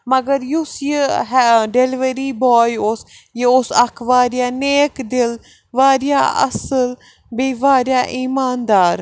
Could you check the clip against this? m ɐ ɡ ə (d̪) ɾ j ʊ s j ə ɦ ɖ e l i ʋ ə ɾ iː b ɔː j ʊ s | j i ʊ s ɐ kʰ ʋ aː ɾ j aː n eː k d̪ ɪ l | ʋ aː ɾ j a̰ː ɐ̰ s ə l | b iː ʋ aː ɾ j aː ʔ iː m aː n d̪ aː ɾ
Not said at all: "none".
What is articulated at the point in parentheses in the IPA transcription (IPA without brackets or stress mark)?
none